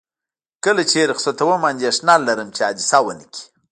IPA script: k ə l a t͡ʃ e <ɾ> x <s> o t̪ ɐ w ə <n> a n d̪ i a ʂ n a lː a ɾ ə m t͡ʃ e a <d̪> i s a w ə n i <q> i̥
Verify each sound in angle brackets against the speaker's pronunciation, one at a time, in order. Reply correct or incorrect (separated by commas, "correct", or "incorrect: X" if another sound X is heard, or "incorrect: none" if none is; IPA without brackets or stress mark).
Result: correct, correct, incorrect: m, correct, incorrect: k